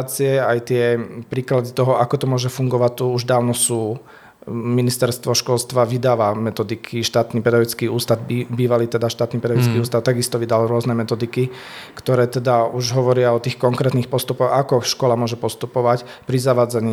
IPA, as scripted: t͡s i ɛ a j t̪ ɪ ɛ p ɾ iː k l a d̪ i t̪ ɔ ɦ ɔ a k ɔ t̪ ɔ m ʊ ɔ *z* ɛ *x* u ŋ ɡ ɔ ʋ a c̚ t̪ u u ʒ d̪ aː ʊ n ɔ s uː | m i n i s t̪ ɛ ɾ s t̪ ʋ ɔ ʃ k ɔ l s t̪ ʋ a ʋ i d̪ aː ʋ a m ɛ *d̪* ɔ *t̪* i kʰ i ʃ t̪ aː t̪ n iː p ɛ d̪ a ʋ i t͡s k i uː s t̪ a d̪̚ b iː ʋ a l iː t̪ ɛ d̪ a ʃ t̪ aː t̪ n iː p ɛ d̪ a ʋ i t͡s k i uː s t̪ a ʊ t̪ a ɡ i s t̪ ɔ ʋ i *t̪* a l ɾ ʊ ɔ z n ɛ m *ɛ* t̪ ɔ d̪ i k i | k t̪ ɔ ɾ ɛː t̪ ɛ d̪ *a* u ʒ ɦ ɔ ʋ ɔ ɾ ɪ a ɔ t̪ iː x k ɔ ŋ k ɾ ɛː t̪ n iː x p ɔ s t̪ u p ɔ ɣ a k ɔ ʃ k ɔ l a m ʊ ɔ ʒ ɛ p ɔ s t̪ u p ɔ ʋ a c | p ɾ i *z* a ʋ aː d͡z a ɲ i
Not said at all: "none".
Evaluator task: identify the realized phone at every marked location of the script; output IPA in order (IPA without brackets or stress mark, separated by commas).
ʒ, f, t̪, d̪, d̪, ɛ, a, z